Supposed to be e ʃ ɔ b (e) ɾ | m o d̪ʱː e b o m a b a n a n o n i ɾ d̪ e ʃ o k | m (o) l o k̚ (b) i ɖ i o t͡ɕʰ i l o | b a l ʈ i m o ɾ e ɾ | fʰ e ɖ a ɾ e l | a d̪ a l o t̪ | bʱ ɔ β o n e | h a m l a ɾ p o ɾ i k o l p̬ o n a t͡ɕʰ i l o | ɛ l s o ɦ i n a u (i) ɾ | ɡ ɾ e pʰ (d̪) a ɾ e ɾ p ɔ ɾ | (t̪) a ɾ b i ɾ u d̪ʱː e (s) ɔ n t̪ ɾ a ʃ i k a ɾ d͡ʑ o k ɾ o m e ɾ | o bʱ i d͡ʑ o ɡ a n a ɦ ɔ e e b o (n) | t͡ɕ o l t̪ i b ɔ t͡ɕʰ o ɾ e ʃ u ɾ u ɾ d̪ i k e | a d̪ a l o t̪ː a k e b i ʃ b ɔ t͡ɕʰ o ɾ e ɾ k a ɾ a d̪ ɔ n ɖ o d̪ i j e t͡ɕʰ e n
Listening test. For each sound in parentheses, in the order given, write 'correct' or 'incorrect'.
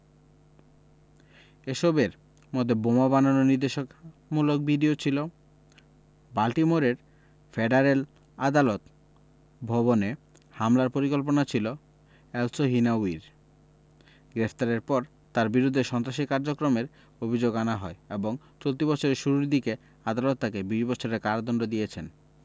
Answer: correct, incorrect, correct, correct, incorrect, correct, incorrect, incorrect

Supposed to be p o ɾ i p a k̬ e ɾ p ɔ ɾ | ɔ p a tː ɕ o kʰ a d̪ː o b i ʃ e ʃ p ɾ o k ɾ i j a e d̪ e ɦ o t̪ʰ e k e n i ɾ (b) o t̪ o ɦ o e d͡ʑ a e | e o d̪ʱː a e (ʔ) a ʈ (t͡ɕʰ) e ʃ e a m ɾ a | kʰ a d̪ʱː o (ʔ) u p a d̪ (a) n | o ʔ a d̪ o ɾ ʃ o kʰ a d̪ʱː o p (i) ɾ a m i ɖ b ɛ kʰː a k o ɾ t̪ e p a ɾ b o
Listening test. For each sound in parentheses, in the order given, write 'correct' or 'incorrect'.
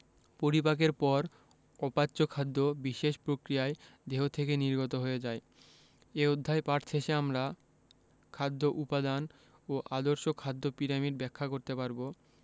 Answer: incorrect, incorrect, correct, correct, correct, correct

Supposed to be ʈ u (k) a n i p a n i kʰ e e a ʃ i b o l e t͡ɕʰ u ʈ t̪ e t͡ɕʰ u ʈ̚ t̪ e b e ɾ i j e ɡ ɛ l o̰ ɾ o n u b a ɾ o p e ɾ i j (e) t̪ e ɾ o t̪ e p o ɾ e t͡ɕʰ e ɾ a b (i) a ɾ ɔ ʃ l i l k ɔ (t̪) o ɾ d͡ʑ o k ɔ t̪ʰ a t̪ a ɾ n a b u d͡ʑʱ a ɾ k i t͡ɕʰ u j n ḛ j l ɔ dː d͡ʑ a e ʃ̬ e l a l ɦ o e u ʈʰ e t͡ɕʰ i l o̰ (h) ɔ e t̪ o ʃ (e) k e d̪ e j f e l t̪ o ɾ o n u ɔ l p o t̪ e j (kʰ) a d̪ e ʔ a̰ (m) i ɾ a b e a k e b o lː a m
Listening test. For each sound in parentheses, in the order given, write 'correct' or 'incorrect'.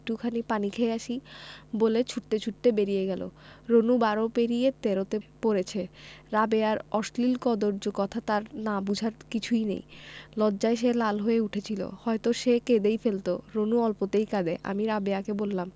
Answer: incorrect, correct, incorrect, incorrect, correct, correct, incorrect, correct

